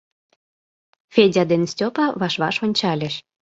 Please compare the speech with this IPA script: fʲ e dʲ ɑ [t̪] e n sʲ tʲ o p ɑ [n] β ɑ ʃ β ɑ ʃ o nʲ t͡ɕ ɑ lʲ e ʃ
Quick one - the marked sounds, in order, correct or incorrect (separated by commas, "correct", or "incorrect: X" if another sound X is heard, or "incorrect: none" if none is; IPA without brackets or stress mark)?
incorrect: d̪, incorrect: none